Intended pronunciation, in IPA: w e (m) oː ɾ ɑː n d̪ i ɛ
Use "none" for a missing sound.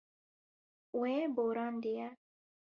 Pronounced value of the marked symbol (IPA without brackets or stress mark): b